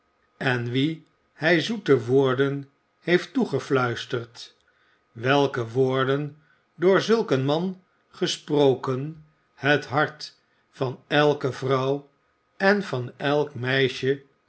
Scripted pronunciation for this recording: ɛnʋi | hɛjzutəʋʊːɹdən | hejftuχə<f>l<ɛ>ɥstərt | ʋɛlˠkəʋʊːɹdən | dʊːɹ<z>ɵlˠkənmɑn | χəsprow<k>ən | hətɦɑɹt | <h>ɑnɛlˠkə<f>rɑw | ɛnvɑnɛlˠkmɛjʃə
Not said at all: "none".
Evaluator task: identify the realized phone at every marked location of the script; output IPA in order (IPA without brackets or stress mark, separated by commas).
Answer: f, œ, z, k, f, v